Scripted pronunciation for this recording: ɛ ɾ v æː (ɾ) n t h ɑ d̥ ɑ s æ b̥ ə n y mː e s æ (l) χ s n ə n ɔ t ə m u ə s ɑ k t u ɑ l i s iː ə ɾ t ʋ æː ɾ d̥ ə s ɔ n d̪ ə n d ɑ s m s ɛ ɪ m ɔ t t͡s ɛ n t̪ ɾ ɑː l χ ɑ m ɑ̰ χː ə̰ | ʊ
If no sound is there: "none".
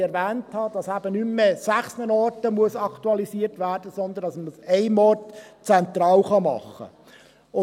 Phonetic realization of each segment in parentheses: none, none

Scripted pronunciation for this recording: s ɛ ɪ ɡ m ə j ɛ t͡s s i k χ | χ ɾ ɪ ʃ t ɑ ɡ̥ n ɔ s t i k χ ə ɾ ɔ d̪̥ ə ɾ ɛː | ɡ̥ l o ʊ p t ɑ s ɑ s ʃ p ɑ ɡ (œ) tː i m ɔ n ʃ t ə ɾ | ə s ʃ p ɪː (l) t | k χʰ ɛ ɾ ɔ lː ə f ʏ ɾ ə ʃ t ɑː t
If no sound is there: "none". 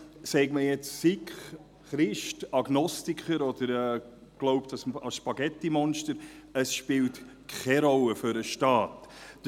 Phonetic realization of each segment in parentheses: ɛ, l

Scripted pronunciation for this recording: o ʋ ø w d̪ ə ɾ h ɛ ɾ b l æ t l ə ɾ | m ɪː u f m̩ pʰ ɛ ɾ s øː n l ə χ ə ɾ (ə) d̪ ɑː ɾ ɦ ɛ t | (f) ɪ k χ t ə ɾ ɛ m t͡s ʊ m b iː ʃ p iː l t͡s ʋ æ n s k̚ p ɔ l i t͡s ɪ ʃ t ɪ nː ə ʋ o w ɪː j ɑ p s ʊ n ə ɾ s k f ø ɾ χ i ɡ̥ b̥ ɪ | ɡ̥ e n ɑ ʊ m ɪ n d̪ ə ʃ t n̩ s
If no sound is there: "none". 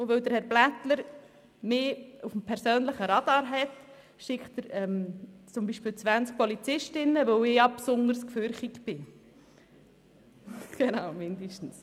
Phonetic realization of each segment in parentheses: ɑ, ʃ

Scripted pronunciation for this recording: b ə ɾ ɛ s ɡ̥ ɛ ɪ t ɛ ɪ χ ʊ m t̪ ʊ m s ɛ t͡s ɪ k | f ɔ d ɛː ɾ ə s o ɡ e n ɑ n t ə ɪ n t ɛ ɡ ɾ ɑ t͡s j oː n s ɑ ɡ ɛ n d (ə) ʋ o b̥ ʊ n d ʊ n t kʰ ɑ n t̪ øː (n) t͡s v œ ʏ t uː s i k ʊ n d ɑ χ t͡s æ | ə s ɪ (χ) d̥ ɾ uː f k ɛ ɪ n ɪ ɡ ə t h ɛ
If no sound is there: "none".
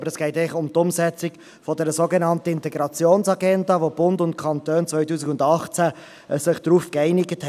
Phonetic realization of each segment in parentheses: ɑ, n, χ

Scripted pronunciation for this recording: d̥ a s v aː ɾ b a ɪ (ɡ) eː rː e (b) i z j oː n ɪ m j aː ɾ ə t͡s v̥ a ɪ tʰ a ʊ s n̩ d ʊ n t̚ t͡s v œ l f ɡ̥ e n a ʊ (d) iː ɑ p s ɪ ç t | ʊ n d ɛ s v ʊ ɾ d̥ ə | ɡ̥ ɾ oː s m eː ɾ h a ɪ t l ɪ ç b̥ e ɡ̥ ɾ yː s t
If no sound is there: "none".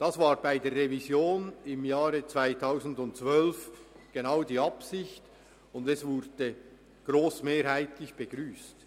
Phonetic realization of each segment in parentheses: d, v, d

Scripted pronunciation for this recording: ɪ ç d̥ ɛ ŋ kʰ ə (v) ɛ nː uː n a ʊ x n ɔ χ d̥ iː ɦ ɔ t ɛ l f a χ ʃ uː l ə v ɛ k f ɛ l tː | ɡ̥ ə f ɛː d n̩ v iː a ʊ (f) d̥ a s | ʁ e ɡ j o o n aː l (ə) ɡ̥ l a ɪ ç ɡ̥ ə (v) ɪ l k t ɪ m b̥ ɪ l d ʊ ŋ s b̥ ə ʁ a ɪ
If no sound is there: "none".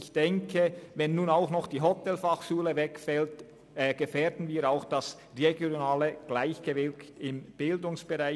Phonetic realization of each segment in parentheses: v, x, ə, v

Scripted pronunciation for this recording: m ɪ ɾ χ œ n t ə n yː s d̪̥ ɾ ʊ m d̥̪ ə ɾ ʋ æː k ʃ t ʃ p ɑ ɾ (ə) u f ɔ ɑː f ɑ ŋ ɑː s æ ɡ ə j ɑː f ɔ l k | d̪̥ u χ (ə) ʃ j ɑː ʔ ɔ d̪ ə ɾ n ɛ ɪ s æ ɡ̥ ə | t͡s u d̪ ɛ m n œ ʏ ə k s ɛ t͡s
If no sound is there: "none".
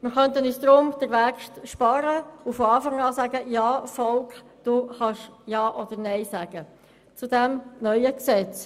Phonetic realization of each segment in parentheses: ə, ɑ

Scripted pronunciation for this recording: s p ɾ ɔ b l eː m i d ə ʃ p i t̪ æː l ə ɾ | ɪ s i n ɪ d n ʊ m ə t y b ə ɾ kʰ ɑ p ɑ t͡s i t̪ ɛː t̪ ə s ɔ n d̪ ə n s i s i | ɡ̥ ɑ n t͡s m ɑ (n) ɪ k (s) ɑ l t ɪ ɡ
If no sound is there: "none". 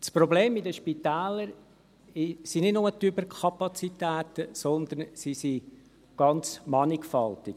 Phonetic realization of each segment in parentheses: n, f

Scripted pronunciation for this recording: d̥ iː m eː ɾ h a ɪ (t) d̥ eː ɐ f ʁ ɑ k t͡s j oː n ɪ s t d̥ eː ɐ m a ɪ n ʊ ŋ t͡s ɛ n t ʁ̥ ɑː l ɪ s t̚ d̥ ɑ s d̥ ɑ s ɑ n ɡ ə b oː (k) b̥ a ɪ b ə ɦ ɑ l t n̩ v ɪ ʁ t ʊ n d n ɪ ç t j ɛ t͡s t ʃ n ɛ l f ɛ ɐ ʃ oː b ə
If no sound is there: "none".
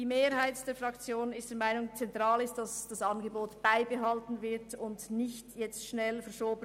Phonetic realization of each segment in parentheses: t, t

